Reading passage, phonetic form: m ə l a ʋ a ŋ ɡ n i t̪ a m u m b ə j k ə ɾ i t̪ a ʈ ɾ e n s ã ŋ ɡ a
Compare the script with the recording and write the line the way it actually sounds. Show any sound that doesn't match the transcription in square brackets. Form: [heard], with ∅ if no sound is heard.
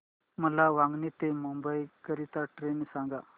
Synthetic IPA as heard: m ə l a ʋ a ŋ ɡ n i t̪ [e] m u m b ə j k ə ɾ i t̪ a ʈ ɾ e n s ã ŋ ɡ a